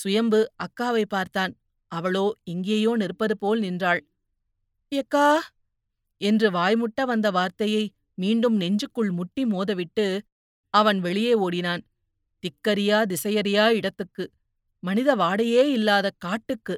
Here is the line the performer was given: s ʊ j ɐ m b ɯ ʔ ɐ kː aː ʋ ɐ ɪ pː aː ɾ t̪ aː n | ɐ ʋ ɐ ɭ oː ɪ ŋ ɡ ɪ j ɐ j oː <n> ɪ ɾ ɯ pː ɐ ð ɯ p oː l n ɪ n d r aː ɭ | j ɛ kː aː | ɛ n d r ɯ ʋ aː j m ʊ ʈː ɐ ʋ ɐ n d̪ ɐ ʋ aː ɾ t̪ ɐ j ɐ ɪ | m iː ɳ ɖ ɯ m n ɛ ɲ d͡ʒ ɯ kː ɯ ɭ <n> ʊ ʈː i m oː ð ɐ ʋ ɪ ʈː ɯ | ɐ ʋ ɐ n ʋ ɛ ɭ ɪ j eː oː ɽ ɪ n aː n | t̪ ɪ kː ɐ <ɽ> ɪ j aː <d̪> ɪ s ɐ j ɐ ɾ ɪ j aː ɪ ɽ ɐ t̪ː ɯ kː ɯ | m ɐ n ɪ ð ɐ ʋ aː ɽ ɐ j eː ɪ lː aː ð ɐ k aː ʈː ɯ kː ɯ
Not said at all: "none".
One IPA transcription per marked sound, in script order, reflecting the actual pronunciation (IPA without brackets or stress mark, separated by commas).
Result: n, m, ɾ, d̪